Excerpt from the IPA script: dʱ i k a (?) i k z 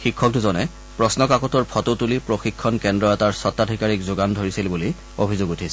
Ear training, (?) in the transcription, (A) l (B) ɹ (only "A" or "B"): B